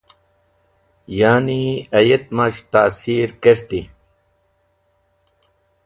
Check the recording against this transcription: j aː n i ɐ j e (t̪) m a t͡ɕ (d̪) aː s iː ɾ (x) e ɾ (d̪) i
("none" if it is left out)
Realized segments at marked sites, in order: t̪, t̪, k, t̪

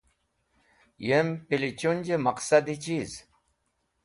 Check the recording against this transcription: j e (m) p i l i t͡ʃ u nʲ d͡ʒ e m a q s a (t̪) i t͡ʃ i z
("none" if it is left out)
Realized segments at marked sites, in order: m, d̪

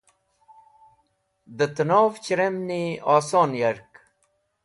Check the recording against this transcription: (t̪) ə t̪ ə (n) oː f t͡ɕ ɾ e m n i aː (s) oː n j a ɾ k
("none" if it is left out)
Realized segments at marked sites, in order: d̪, n, s

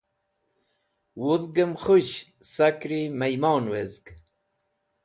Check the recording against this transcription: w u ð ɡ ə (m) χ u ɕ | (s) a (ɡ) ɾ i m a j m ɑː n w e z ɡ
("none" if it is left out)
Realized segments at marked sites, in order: m, s, k

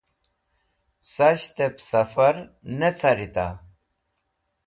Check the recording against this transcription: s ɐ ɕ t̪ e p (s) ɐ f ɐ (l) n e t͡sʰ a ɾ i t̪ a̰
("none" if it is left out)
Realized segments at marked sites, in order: s, ɾ

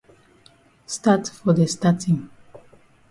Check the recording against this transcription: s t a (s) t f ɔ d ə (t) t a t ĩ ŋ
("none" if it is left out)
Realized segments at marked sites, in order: none, s

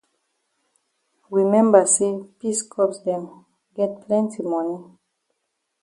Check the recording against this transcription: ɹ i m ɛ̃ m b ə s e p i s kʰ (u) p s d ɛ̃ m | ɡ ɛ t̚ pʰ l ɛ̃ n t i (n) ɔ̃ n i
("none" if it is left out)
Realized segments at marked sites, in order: ɔ, m

